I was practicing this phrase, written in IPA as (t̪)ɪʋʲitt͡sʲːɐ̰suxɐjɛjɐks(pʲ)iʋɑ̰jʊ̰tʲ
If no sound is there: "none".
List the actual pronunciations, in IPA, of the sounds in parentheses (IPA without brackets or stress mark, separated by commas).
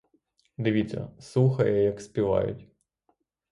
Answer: d̪, pʲ